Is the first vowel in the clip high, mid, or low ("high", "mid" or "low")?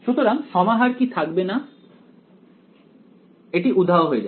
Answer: high